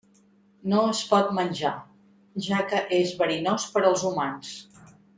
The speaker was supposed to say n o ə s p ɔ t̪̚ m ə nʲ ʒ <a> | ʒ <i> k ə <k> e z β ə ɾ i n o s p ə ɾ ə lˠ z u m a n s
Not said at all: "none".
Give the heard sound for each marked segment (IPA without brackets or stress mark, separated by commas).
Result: a, a, ʔ